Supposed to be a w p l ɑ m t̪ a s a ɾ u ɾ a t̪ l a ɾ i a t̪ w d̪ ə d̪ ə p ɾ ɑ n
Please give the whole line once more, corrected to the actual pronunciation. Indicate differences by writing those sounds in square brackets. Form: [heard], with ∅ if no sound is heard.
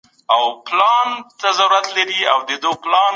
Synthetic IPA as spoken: a w p l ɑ [n] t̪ a [z] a ɾ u ɾ a t̪ l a ɾ i a [∅] w d̪ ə d̪ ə p [l] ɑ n